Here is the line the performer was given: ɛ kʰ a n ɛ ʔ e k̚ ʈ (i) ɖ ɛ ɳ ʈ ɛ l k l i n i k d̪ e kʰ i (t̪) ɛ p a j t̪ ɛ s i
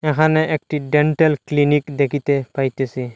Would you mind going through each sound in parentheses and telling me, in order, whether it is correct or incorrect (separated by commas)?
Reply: correct, correct